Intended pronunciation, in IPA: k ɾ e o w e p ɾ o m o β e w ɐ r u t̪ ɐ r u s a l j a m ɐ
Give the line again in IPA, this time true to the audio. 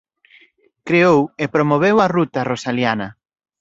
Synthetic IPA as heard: k ɾ e o w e p ɾ o m o β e w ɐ r u t̪ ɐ r o s a l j a n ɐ